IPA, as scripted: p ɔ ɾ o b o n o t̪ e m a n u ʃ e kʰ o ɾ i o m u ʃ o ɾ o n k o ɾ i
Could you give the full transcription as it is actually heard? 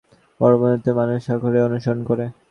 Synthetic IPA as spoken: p ɔ ɾ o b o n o t̪ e m a n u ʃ a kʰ o ɾ e o n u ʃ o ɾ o n k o ɾ e